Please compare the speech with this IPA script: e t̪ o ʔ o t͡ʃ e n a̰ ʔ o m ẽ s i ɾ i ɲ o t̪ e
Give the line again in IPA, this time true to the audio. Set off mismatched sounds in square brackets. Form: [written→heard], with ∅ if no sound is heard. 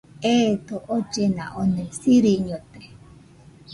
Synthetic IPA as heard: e t̪ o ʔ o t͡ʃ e n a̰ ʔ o [m→n] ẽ s i ɾ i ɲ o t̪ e